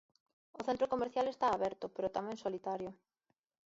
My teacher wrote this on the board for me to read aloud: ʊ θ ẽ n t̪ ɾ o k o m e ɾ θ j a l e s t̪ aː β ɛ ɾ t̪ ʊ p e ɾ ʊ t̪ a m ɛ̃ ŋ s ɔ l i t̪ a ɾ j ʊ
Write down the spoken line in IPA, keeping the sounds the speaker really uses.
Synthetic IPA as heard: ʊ θ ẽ n t̪ ɾ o k o m e ɾ θ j a l e s t̪ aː β ɛ ɾ t̪ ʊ p e ɾ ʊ t̪ a m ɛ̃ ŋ s o l i t̪ a ɾ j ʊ